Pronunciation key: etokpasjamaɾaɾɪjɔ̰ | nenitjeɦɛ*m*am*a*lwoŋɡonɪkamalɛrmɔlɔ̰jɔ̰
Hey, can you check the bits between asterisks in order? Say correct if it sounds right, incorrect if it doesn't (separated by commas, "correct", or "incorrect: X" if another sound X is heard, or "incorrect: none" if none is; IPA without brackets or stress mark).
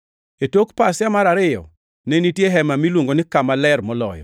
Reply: correct, incorrect: i